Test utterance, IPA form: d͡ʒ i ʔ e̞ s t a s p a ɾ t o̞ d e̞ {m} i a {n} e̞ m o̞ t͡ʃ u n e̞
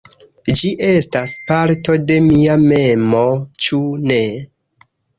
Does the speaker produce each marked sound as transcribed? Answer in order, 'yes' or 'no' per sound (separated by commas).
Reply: yes, no